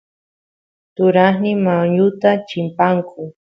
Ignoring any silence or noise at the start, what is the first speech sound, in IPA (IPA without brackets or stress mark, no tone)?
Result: t̪